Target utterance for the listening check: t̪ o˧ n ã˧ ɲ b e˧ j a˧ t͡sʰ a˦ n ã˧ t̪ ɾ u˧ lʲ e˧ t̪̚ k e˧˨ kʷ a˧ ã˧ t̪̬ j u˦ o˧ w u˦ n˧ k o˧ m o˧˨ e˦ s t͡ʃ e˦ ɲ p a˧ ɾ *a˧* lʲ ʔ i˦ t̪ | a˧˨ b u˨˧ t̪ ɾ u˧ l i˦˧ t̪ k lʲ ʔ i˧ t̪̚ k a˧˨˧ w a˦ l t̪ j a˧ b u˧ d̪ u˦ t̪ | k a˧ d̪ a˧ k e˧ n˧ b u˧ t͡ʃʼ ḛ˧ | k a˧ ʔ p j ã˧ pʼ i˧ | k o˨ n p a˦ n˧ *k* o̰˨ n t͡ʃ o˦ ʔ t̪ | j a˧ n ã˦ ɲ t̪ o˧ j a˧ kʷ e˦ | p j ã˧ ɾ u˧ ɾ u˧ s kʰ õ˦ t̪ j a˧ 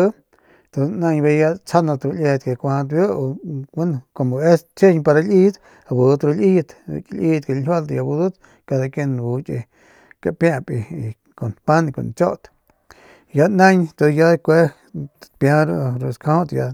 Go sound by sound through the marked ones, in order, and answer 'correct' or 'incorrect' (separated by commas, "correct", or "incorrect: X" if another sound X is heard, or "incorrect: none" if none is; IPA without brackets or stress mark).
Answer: correct, correct